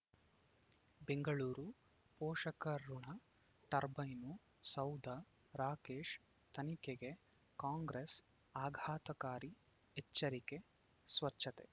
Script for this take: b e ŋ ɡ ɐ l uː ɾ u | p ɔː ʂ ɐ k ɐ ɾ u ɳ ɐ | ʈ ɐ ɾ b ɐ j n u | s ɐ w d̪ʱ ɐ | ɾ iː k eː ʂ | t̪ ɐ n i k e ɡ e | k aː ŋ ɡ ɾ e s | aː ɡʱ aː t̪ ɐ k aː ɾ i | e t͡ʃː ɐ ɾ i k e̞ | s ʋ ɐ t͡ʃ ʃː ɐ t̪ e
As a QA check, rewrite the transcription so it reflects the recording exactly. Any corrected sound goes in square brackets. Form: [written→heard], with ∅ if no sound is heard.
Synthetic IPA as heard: b e ŋ ɡ ɐ [l→ɭ] uː ɾ u | p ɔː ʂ ɐ k ɐ ɾ u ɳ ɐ | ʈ ɐ ɾ b ɐ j n u | s ɐ w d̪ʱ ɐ | ɾ [iː→aː] k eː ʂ | t̪ ɐ n i k e ɡ e | k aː ŋ ɡ ɾ e s | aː ɡʱ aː t̪ ɐ k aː ɾ i | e t͡ʃː ɐ ɾ i k e̞ | s ʋ ɐ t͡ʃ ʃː ɐ t̪ e

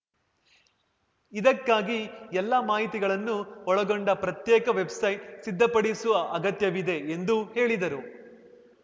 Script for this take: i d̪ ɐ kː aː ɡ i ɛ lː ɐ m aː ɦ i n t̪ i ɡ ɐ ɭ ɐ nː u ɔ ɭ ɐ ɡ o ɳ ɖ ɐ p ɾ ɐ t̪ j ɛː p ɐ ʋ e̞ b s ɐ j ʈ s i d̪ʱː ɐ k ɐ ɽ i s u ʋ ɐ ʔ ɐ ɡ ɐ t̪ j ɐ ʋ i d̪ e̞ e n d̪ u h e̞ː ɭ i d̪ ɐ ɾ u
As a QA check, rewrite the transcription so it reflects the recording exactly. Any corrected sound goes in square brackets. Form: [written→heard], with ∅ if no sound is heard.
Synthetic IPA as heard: i d̪ ɐ kː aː ɡ i ɛ lː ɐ m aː ɦ i [n→∅] t̪ i ɡ ɐ ɭ ɐ nː u ɔ ɭ ɐ ɡ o ɳ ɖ ɐ p ɾ ɐ t̪ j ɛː [p→k] ɐ ʋ e̞ b s ɐ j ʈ s i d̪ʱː ɐ [k→p] ɐ ɽ i s u ʋ ɐ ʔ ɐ ɡ ɐ t̪ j ɐ ʋ i d̪ e̞ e n d̪ u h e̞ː ɭ i d̪ ɐ ɾ u

